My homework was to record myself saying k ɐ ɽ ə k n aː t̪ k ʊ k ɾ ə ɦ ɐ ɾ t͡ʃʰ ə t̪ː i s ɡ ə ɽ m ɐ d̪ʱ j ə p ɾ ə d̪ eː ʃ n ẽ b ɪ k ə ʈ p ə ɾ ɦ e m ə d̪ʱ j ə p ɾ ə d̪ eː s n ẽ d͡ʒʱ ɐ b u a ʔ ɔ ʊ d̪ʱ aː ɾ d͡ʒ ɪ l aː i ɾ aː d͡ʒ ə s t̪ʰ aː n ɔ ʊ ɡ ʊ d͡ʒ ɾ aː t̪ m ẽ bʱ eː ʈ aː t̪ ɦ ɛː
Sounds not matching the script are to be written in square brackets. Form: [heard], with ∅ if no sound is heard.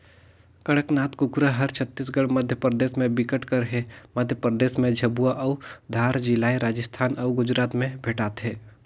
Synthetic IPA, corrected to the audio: k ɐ ɽ ə k n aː t̪ k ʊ k ɾ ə ɦ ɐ ɾ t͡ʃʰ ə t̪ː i s ɡ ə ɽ m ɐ d̪ʱ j ə p ɾ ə d̪ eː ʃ [m] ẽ b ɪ k ə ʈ [k] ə ɾ ɦ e m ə d̪ʱ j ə p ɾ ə d̪ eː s [m] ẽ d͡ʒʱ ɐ b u a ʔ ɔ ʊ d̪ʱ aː ɾ d͡ʒ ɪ l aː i ɾ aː d͡ʒ ə s t̪ʰ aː n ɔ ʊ ɡ ʊ d͡ʒ ɾ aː t̪ m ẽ bʱ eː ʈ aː t̪ ɦ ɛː